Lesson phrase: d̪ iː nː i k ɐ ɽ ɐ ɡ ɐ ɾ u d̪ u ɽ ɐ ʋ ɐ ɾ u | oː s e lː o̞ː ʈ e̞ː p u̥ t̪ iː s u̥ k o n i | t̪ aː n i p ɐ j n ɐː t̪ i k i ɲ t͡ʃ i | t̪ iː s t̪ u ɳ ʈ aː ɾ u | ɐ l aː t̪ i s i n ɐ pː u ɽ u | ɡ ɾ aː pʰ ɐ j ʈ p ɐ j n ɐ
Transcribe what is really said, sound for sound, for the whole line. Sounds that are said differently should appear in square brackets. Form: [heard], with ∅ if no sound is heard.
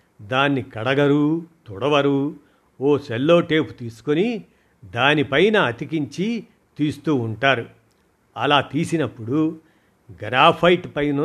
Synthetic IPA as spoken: d̪ [aː] nː i k ɐ ɽ ɐ ɡ ɐ ɾ u [t̪] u ɽ ɐ ʋ ɐ ɾ u | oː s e lː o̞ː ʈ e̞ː p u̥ t̪ iː s u̥ k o n i | [d̪] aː n i p ɐ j n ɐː t̪ i k i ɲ t͡ʃ i | t̪ iː s t̪ [uː] ɳ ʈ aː ɾ u | ɐ l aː t̪ [iː] s i n ɐ pː u ɽ u | ɡ ɾ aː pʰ ɐ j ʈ p ɐ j n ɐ